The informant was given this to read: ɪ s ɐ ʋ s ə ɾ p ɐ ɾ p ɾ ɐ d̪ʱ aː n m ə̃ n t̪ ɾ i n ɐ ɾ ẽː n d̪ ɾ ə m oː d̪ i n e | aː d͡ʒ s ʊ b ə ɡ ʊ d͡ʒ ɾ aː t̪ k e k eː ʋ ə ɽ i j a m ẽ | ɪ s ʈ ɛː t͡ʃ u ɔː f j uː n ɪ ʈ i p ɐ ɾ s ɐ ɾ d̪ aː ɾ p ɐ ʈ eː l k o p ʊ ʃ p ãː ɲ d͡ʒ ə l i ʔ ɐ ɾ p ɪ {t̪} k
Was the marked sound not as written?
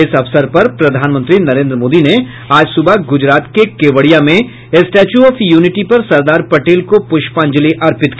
no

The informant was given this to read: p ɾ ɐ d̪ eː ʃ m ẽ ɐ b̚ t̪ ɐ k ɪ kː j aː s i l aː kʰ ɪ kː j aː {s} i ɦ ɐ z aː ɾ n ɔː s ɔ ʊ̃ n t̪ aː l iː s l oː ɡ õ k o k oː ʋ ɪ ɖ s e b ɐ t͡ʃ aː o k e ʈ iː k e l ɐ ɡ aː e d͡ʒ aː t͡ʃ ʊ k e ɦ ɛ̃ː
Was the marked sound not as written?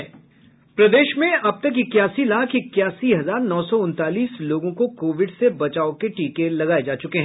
no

